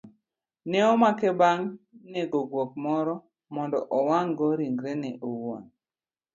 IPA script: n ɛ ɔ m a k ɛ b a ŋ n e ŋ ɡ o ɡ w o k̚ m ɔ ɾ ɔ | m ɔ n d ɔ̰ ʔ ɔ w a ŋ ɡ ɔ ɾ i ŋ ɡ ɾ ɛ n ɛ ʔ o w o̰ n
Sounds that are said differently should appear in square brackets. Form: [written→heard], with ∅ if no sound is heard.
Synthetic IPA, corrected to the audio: n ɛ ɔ m a k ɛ b a ŋ n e [ŋ→∅] ɡ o ɡ w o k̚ m ɔ ɾ ɔ | m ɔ n d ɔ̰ ʔ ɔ w a ŋ ɡ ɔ ɾ i ŋ ɡ ɾ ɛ n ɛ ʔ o w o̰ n